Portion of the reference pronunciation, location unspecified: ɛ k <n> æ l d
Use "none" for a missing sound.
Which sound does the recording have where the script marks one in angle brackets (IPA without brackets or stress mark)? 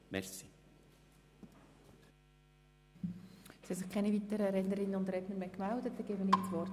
m